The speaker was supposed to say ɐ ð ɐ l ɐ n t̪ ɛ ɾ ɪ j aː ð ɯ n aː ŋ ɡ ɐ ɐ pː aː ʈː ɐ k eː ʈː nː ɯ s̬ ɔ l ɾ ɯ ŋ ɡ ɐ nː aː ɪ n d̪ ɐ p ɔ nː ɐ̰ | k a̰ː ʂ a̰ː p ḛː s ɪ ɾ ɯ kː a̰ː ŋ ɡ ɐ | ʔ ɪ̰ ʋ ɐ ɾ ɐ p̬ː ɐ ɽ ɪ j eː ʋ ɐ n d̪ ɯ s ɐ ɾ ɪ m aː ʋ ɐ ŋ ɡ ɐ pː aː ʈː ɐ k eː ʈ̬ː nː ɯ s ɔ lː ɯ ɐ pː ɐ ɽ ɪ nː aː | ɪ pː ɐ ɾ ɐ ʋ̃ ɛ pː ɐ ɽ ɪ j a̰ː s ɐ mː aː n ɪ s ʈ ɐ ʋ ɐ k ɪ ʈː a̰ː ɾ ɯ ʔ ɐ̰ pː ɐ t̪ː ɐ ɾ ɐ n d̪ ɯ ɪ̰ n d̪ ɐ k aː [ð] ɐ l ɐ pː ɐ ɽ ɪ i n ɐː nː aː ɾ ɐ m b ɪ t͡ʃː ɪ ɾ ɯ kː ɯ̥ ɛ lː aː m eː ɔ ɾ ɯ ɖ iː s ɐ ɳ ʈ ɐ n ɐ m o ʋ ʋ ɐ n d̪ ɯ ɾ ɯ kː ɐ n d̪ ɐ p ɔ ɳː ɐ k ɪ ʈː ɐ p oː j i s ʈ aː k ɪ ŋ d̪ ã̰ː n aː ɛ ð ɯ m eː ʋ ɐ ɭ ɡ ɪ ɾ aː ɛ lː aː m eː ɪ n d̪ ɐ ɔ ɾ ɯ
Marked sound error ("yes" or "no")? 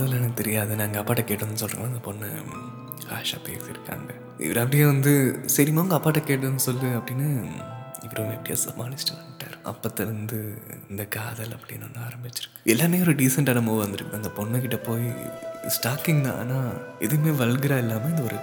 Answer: no